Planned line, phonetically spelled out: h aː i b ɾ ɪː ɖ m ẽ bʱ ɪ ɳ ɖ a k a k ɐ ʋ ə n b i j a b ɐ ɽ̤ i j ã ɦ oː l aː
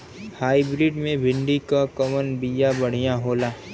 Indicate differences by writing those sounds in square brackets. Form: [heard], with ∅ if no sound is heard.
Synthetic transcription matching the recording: h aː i b ɾ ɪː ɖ m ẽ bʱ ɪ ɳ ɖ [i] k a k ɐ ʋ ə n b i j a b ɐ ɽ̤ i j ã ɦ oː l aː